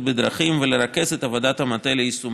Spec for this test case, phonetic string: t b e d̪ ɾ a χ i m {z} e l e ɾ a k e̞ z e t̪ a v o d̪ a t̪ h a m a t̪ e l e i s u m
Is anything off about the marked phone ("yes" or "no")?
yes